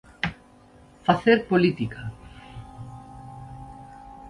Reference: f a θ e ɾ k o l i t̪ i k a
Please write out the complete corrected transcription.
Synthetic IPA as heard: f a θ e ɾ p o l i t̪ i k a